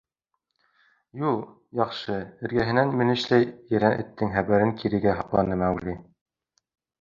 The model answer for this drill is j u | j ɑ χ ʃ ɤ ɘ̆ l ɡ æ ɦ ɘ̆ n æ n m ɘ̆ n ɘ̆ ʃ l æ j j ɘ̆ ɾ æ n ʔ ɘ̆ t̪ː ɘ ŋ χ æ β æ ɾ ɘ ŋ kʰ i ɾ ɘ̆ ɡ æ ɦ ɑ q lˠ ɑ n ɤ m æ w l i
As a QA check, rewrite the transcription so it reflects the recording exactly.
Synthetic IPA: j u | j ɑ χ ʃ ɤ ɘ̆ ɾ ɡ æ ɦ ɘ̆ n æ n m ɘ̆ n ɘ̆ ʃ l æ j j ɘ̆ ɾ æ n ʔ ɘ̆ t̪ː ɘ ŋ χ æ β æ ɾ ɘ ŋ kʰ i ɾ ɘ̆ ɡ æ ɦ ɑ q lˠ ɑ n ɤ m æ w l i